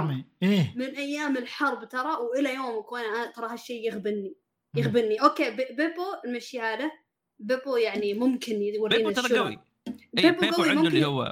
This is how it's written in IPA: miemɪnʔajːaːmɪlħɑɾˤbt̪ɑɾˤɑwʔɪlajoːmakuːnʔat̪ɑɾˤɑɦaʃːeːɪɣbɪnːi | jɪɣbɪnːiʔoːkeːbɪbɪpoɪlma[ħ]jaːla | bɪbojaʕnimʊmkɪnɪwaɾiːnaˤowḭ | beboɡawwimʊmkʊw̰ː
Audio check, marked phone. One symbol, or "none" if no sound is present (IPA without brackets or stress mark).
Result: ʃ